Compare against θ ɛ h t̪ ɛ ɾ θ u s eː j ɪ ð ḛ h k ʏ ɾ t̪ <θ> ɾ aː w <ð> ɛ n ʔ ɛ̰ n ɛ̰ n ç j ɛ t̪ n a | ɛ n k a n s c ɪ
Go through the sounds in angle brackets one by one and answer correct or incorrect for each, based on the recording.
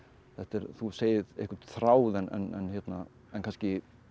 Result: correct, correct

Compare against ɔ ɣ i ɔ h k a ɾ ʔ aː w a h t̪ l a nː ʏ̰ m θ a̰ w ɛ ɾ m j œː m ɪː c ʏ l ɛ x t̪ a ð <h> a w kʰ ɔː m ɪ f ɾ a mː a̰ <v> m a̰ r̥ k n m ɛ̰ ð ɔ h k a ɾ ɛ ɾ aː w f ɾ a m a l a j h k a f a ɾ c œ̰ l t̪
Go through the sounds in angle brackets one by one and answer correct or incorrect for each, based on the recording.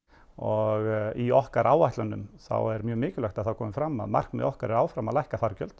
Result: incorrect: θ, incorrect: ð

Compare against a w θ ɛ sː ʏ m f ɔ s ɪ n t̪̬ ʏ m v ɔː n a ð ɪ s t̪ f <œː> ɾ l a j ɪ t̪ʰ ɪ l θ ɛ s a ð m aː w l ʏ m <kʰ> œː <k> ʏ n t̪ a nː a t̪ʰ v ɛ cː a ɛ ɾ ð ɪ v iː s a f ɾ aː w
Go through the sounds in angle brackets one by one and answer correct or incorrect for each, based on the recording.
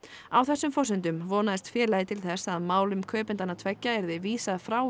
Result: incorrect: ɛː, correct, incorrect: p

